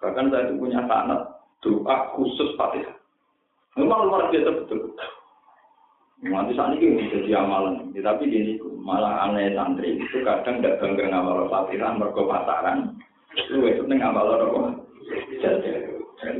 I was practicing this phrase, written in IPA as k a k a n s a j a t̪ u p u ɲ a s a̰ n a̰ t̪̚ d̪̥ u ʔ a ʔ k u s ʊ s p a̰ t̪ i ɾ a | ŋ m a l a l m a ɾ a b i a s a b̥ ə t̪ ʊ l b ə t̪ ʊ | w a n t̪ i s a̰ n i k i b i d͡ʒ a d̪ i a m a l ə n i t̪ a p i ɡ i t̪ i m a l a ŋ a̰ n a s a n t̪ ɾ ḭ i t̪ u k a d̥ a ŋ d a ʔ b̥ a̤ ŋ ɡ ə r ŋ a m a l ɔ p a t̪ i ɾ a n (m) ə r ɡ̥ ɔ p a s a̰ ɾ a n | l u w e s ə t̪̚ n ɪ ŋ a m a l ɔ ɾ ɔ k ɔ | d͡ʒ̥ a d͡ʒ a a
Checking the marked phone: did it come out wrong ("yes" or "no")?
no